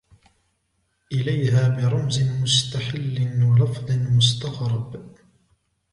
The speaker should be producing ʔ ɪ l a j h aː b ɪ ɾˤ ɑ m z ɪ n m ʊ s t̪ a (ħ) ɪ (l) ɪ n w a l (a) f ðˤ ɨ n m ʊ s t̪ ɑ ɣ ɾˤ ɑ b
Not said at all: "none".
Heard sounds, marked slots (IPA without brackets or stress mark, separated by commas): ħ, lː, ɑ